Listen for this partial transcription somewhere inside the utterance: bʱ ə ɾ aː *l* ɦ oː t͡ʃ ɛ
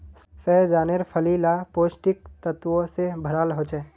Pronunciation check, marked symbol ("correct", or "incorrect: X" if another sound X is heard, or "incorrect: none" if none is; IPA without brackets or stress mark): correct